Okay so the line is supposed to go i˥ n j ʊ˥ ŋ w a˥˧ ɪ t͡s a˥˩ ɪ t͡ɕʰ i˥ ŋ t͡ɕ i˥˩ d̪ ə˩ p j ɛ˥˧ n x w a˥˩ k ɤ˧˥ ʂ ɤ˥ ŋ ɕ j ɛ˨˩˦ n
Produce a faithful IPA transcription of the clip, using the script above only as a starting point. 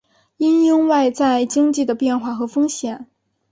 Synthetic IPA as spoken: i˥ n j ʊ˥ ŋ w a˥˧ ɪ t͡s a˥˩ ɪ t͡ɕ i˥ ŋ t͡ɕ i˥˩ d̪ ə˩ p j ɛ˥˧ n x w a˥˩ x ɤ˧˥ f ɤ˥ ŋ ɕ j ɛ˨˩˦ n